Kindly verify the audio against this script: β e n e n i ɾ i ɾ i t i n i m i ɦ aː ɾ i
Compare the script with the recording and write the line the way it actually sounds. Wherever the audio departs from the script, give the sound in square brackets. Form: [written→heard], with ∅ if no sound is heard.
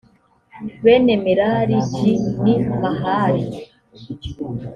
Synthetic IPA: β e n e [n→m] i ɾ [i→a] ɾ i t i n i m [i→a] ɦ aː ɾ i